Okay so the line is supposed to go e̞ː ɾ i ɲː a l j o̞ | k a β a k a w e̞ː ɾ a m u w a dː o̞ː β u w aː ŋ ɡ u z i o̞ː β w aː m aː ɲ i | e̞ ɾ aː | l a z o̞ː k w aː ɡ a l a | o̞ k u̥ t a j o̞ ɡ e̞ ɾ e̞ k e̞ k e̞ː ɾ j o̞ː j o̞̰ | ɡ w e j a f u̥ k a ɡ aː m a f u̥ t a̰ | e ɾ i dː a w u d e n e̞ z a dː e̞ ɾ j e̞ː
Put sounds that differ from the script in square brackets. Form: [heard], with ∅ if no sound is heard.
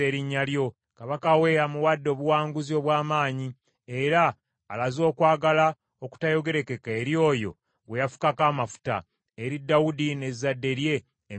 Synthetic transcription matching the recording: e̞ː ɾ i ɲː a l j o̞ | k a β a k a w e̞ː ɾ a m u w a dː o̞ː β u w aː ŋ ɡ u z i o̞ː β w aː m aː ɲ i | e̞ ɾ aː | l a z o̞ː k w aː ɡ a l a | o̞ k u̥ t a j o̞ ɡ e̞ ɾ e̞ k e̞ k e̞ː ɾ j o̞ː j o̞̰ | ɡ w e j a f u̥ k a [k] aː m a f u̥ t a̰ | e ɾ i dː a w u d [i] n e̞ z a dː e̞ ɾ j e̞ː

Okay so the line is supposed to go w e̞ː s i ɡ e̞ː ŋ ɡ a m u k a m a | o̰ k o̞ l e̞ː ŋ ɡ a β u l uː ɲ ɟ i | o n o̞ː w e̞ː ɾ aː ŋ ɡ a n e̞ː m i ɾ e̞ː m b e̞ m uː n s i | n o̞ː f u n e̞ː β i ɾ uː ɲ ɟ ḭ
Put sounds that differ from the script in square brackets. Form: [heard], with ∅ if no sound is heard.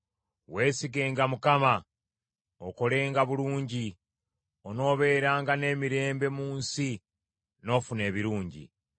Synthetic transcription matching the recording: w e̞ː s i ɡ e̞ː ŋ ɡ a m u k a m a | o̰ k o̞ l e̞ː ŋ ɡ a β u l uː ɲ ɟ i | o n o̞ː [β] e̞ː ɾ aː ŋ ɡ a n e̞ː m i ɾ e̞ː m b e̞ m uː n s i | n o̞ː f u n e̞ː β i ɾ uː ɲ ɟ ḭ

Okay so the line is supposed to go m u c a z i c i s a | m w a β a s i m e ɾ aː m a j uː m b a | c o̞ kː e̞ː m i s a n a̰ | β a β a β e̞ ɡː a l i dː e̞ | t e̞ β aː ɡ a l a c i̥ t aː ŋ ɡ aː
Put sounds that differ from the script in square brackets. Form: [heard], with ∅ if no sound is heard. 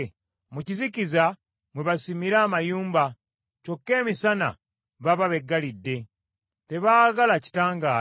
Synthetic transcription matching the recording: m u c [i] z i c i [z] a | m w [e] β a s i m [i] ɾ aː m a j uː m b a | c o̞ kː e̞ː m i s a n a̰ | β a β a β e̞ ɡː a l i dː e̞ | t e̞ β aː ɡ a l a c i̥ t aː ŋ ɡ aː

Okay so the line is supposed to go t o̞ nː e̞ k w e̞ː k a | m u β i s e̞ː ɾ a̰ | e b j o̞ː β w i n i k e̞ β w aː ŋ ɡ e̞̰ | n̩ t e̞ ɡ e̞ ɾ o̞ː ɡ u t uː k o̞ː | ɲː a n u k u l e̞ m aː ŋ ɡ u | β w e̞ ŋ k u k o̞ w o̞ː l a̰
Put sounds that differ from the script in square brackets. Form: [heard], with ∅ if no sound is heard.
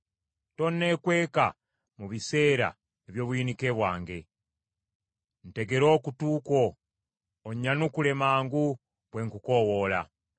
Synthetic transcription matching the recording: t o̞ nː e̞ k w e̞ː k a | m u β i s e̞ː ɾ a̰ | e [β] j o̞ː β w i n i k e̞ β w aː ŋ ɡ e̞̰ | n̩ t e̞ ɡ e̞ ɾ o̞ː [k] u t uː k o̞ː | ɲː a n u k u l e̞ m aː ŋ ɡ u | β w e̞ ŋ k u k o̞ w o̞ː l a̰

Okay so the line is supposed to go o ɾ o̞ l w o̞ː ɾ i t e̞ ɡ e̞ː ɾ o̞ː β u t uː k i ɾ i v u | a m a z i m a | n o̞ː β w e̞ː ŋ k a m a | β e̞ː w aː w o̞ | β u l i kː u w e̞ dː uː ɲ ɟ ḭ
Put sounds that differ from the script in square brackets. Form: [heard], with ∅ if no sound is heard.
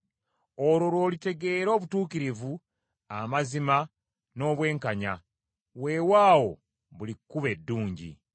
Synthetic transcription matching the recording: o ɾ o̞ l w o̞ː [l] i t e̞ ɡ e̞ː ɾ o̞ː β u t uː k i ɾ i v u | a m a z i m a | n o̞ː β w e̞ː ŋ k a [ɲ] a | [w] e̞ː w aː w o̞ | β u l i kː u [β] e̞ dː uː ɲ ɟ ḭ

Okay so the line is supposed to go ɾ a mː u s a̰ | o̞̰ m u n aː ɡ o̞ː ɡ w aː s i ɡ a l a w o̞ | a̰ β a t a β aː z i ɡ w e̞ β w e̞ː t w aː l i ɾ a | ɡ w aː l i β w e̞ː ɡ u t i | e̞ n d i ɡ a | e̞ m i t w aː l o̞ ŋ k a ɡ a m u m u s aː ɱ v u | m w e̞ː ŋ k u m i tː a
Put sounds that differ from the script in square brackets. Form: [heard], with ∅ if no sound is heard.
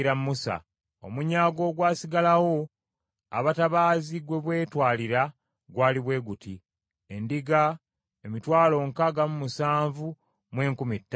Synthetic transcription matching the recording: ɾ a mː u s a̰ | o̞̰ m u [ɲ] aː ɡ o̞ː ɡ w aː s i ɡ a l a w o̞ | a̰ β a t a β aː z i ɡ w e̞ β w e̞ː t w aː l i ɾ a | ɡ w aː l i β w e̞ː ɡ u t i | e̞ n d i ɡ a | e̞ m i t w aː l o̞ ŋ k a ɡ a m u m u s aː ɱ v u | m w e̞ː ŋ k u m i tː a

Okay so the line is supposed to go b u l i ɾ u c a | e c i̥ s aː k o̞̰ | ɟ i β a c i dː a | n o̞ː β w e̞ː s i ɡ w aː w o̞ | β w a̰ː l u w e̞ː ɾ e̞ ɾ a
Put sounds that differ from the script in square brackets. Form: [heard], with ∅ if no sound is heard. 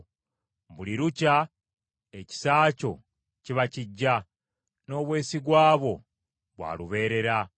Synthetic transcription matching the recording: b u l i ɾ u c a | e c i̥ s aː [c] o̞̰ | [c] i β a c i [ɟː] a | n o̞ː β w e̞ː s i ɡ w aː [β] o̞ | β w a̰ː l u [β] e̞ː ɾ e̞ ɾ a

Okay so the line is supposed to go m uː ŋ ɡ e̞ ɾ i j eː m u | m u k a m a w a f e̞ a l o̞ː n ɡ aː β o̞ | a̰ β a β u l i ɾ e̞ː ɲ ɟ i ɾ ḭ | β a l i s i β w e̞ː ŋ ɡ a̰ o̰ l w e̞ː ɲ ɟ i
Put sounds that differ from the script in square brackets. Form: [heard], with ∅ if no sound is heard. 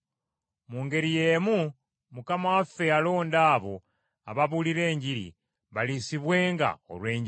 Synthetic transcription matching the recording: m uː ŋ ɡ e̞ ɾ i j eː m u | m u k a m a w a f e̞ a l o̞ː n [d] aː β o̞ | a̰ β a β u l i ɾ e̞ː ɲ ɟ i ɾ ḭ | β a l i s i β w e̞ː ŋ ɡ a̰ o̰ l w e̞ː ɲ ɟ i

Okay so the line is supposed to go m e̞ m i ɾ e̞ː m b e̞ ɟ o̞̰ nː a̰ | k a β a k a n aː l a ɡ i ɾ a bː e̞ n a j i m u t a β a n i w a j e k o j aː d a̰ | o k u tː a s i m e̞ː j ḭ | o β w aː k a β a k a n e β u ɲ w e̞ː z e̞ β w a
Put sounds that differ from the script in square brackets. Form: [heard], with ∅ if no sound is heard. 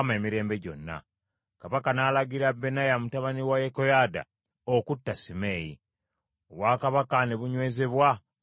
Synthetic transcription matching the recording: m e̞ m i ɾ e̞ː m b e̞ ɟ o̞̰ nː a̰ | k a β a k a n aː l a ɡ i ɾ a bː e̞ n a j [a] m u t a β a n i w a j e k o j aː d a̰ | o k u tː a s i m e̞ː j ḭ | o β w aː k a β a k a n e β u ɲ w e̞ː z e̞ β w a

